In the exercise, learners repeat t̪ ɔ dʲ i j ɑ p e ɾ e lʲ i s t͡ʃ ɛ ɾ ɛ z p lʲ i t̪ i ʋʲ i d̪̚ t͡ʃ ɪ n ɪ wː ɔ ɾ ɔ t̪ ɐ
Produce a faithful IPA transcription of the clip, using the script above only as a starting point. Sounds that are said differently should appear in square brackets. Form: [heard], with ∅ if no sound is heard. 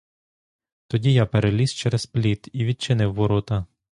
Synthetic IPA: t̪ ɔ dʲ i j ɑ p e ɾ e lʲ i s t͡ʃ ɛ ɾ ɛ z p lʲ i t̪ i ʋʲ i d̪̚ t͡ʃ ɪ n ɪ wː ɔ ɾ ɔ t̪ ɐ